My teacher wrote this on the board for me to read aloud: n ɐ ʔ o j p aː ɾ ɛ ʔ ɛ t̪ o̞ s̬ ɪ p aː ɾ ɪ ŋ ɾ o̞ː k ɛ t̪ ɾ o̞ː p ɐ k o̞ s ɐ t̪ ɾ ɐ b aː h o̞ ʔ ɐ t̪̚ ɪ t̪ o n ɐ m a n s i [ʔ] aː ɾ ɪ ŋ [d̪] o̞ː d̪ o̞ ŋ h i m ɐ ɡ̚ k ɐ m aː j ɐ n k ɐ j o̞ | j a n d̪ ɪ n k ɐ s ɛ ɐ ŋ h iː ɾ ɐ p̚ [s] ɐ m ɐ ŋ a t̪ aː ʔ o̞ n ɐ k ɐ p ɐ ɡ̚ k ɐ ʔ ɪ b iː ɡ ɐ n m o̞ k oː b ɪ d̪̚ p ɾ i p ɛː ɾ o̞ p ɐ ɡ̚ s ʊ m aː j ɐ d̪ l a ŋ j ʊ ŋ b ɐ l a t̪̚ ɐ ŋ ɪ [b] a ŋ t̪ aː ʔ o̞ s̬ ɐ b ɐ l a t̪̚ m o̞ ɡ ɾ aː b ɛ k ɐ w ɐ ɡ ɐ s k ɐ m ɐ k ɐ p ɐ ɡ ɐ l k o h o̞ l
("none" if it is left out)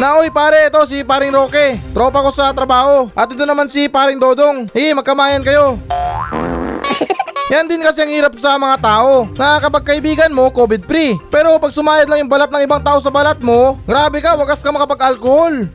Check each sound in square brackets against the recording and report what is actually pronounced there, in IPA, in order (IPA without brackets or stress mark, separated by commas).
p, d̪, s, b